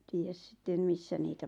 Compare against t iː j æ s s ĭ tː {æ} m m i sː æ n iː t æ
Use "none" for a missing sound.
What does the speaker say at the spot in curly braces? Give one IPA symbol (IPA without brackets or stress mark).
e